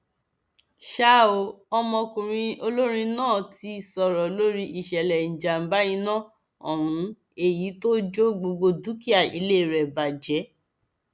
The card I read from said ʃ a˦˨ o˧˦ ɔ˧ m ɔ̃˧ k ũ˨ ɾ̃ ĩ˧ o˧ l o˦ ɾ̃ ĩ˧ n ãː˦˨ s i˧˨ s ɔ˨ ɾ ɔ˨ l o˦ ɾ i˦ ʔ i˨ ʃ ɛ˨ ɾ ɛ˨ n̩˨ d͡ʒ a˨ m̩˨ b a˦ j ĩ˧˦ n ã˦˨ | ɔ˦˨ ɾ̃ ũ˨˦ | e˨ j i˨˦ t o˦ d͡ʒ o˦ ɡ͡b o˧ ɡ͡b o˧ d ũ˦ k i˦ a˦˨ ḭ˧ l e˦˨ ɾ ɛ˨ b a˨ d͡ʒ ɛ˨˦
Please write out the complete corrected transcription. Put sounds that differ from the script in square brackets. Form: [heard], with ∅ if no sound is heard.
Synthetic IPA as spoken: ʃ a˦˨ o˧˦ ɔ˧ m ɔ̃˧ k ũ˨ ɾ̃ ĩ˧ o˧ l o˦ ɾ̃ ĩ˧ n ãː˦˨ [t] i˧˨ s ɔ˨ ɾ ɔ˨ l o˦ ɾ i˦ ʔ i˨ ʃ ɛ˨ [l] ɛ˨ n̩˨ d͡ʒ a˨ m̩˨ b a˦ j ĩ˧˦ n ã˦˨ | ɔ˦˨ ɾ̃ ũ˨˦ | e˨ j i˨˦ t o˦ d͡ʒ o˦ ɡ͡b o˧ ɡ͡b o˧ d [u˦] k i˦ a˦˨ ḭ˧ l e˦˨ ɾ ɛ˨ b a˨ d͡ʒ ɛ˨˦